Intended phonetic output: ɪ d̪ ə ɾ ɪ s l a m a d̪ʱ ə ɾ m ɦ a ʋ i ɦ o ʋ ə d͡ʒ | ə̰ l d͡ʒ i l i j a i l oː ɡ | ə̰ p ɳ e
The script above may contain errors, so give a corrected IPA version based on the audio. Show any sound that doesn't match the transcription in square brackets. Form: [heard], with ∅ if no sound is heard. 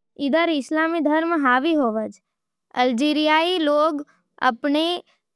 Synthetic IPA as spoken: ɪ d̪ ə ɾ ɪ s l a m [i] d̪ʱ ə ɾ m ɦ a ʋ i ɦ o ʋ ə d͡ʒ | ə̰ l d͡ʒ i [ɾ] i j a i l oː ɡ | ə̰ p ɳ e